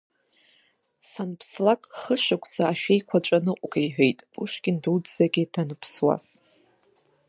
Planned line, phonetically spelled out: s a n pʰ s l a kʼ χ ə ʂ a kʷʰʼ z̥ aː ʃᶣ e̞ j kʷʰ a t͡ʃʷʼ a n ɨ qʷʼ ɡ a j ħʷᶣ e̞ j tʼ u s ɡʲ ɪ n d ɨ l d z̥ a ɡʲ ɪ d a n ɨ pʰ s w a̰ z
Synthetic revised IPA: s a n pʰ s l a kʼ χ ə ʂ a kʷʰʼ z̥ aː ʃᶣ e̞ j kʷʰ a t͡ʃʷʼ a n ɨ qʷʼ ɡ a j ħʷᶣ e̞ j tʼ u ʂ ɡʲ ɪ n d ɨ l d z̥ a ɡʲ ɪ d a n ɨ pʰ s w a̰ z